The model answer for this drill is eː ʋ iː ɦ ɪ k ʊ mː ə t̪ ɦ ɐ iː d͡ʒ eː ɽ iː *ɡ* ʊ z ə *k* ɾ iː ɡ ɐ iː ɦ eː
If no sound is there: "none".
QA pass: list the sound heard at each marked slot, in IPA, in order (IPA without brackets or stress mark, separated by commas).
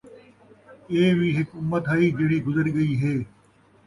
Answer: ɡ, none